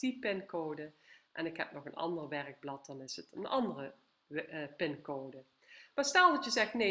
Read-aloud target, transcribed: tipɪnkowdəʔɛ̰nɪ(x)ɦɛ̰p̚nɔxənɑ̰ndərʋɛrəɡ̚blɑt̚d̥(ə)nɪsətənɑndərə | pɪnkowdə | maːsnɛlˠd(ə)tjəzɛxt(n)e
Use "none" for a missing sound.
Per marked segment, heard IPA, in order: k, ɑ, ɑ, n

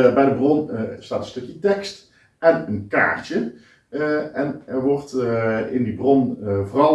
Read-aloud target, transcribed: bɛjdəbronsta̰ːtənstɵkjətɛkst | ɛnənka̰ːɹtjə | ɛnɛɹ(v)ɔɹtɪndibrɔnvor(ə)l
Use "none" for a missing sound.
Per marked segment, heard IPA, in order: ʋ, ɑ

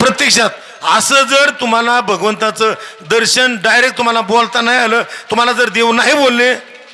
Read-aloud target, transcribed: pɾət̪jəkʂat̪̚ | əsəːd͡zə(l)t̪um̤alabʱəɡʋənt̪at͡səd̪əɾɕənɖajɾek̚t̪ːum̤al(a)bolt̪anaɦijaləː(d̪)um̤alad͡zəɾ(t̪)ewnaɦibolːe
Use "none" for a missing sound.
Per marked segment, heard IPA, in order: ɾ, a, t̪, d̪

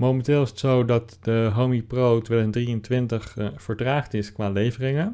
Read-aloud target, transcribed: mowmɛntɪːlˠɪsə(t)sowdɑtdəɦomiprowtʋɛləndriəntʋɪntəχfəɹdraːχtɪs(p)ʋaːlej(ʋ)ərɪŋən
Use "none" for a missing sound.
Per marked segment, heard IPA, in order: t, k, v

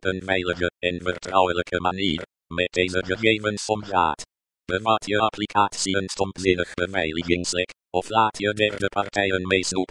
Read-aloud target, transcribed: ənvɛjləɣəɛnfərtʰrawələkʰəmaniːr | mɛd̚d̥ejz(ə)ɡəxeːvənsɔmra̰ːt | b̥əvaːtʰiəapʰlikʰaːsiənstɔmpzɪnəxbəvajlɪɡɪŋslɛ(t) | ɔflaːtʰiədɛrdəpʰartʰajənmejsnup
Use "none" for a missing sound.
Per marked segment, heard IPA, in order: ə, k

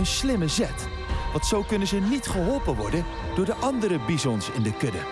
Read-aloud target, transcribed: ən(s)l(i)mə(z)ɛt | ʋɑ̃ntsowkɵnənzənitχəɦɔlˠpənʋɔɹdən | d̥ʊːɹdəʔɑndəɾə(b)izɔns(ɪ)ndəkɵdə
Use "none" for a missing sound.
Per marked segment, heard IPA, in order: s, ɪ, z, b, ɪ

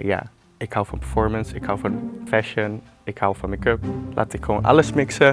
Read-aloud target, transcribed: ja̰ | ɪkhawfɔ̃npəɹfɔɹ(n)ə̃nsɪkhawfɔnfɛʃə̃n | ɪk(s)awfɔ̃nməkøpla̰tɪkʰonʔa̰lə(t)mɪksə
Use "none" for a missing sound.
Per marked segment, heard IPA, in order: m, h, s

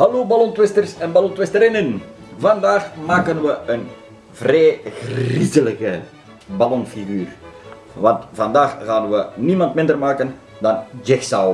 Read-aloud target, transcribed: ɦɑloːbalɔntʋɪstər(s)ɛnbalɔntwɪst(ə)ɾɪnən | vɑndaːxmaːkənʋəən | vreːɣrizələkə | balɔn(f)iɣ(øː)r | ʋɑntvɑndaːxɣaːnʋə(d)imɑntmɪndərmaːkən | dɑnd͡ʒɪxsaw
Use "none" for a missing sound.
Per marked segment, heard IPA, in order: s, ə, f, yː, n

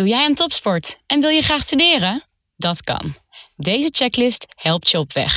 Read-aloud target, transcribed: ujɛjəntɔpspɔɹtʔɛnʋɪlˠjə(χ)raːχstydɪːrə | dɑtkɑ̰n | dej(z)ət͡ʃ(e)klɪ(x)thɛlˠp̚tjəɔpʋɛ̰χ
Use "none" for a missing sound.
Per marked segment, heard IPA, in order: χ, z, ɛ, s

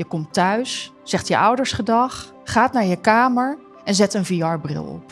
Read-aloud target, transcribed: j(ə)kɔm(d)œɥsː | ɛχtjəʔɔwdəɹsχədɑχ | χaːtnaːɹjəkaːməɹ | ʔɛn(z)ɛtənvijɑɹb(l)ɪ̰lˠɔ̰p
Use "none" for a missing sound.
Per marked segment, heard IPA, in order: ə, t, z, r

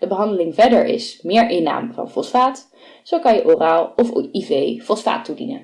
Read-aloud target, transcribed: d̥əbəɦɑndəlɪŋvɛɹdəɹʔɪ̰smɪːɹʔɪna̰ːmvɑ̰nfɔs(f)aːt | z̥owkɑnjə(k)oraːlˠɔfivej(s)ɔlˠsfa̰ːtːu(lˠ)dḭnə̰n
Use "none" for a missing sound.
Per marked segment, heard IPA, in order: f, ʔ, f, none

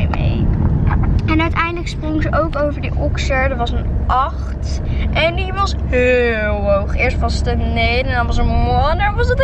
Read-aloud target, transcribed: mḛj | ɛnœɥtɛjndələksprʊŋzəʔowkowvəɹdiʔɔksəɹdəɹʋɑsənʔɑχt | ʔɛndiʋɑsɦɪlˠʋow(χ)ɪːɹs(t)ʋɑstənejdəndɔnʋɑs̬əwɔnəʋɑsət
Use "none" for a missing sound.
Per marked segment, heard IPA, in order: χ, t

